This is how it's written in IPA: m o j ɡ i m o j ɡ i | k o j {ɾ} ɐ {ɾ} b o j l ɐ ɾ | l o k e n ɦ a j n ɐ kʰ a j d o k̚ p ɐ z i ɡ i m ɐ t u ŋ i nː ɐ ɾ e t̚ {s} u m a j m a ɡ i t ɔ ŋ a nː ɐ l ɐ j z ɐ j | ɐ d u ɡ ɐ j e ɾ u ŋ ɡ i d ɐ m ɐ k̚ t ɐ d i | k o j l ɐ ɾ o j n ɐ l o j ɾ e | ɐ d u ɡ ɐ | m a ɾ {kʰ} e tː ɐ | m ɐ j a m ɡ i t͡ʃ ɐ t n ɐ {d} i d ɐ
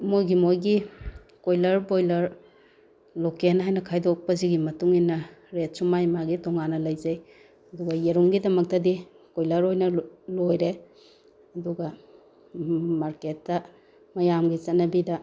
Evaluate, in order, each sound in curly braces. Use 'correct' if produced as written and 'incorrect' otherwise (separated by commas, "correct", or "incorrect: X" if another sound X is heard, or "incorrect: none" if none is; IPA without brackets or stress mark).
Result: incorrect: l, correct, correct, incorrect: k, incorrect: b